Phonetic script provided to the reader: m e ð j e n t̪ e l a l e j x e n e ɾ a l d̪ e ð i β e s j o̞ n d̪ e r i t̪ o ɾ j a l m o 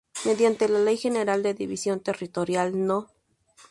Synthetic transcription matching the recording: m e ð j a n t̪ e l a l e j x e n e ɾ a l d̪ e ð i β i s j o̞ n t̪ e r i t̪ o ɾ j a l n o